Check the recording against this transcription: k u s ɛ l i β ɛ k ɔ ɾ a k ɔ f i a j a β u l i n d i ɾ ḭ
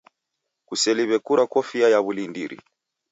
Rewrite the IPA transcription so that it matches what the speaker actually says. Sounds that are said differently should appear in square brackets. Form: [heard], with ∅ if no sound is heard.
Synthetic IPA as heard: k u s ɛ l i β ɛ k [u] ɾ a k ɔ f i a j a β u l i n d i ɾ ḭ